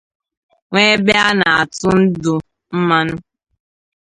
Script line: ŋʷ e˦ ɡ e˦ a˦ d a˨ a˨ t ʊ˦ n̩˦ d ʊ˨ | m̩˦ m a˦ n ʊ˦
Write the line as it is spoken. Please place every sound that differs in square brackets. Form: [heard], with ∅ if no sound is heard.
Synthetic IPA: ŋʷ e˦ [b] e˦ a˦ [n] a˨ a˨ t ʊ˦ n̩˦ d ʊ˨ | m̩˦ m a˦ n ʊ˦